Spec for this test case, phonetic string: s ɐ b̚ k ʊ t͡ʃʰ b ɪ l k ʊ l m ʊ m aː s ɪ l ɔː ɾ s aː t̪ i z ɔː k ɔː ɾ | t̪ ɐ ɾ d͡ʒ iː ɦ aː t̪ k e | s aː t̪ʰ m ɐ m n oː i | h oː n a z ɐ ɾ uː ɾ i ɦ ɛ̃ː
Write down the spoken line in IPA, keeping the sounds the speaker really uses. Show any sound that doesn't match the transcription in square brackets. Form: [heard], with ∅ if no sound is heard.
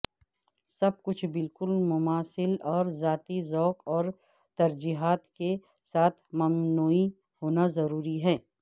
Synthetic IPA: s ɐ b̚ k ʊ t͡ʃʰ b ɪ l k ʊ l m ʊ m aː s ɪ l ɔː ɾ [z] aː t̪ i z ɔː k ɔː ɾ | t̪ ɐ ɾ d͡ʒ iː ɦ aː t̪ k e | s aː t̪ʰ m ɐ m n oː i | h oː n a z ɐ ɾ uː ɾ i ɦ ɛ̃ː